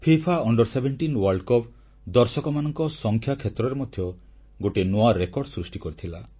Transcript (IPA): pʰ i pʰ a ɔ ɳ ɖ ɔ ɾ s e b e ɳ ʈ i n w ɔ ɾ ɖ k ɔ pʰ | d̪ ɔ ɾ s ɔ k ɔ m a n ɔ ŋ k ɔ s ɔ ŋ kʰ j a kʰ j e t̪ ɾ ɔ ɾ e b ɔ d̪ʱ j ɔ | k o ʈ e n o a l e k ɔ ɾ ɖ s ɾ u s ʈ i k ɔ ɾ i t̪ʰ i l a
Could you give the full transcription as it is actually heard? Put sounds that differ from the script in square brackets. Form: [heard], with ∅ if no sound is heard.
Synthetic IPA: pʰ i pʰ a ɔ ɳ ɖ ɔ ɾ s e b e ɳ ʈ i n w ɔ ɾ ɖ k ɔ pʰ | d̪ ɔ ɾ s ɔ k ɔ m a n ɔ ŋ k ɔ s ɔ ŋ kʰ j a kʰ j e t̪ ɾ ɔ ɾ e [m] ɔ d̪ʱ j ɔ | [ɡ] o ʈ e n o a [ɾ] e k ɔ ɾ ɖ s ɾ u s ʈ i k ɔ ɾ i t̪ʰ i l a